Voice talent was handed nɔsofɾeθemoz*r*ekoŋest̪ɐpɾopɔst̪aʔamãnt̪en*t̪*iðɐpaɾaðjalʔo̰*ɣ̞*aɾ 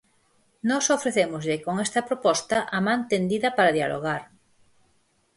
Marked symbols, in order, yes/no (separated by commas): no, no, yes